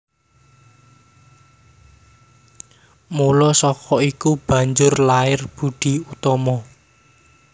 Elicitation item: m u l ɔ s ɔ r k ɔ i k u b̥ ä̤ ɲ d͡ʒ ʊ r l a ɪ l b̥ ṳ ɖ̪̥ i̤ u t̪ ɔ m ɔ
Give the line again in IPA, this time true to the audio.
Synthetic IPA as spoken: m u l ɔ s ɔ k ɔ i k u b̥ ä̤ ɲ d͡ʒ ʊ r l a ɪ r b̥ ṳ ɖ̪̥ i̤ u t̪ ɔ m ɔ